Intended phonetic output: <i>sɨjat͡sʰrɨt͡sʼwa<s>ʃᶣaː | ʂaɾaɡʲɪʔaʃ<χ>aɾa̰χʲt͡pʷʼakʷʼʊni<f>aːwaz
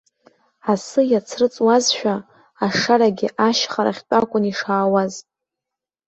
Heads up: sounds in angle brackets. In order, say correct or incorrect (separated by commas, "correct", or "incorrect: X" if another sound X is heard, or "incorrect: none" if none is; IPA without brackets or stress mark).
incorrect: a, incorrect: z, correct, incorrect: ʂ